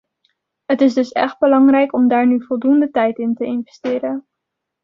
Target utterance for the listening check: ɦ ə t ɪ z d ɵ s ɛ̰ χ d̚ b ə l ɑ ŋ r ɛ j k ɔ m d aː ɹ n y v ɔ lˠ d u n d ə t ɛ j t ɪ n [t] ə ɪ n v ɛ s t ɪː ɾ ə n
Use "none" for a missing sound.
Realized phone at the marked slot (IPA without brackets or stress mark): t